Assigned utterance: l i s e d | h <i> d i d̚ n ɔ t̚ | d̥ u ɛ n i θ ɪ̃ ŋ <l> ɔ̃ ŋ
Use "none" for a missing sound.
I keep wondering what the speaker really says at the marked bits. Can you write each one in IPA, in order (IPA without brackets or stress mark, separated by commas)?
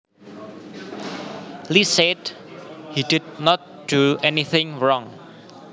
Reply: i, ɹ